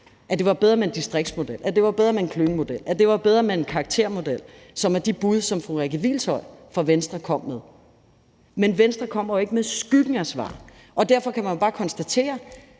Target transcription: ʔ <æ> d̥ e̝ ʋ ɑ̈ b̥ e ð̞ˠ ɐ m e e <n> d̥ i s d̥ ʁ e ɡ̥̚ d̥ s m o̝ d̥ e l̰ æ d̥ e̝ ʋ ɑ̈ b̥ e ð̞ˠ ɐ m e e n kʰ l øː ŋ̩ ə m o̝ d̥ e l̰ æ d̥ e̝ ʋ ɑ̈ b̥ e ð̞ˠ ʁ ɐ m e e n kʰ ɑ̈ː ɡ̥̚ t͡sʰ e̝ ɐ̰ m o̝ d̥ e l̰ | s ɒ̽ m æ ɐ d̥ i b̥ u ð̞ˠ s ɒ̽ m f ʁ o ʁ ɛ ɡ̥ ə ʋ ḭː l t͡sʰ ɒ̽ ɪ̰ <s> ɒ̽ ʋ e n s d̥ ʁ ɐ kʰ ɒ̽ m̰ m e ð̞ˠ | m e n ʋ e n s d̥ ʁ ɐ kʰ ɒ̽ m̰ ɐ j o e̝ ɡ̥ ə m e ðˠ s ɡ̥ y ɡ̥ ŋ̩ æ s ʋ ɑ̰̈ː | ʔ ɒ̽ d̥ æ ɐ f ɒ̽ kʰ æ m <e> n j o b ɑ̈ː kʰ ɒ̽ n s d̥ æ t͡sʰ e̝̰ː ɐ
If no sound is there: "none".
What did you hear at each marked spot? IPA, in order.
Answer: æ, n, f, æ

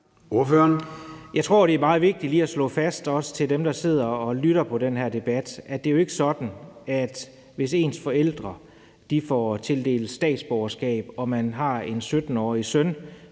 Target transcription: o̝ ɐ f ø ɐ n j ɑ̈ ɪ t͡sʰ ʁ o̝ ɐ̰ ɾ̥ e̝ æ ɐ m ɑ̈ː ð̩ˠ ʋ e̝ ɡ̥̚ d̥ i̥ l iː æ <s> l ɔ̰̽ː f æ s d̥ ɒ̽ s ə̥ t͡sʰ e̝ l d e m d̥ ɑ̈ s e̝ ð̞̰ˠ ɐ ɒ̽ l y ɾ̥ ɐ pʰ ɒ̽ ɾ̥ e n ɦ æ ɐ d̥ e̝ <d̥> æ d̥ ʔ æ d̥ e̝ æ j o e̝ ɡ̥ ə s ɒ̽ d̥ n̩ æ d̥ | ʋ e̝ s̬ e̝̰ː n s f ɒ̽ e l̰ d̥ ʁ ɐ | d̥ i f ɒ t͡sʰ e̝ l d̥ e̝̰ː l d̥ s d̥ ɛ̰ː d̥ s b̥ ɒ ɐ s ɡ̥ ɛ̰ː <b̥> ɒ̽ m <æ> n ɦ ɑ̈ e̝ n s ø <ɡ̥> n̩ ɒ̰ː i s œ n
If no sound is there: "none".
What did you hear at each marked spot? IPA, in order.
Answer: s, b̥, b̥, æ, d̥

